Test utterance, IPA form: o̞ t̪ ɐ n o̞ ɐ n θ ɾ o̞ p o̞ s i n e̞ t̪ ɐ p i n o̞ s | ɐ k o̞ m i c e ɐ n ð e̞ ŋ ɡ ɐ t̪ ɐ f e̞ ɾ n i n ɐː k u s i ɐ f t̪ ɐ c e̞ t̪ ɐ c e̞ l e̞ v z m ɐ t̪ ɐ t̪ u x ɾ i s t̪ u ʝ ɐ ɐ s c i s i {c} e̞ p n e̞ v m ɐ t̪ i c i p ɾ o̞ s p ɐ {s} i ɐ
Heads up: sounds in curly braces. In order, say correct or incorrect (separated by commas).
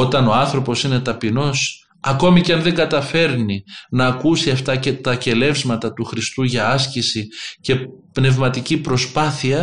correct, incorrect